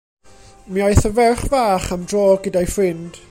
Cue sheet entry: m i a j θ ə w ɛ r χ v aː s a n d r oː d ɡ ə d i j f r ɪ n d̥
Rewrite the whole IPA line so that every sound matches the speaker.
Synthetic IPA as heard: m i a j θ ə v ɛ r χ v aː χ a m d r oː ɡ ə d a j f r ɪ n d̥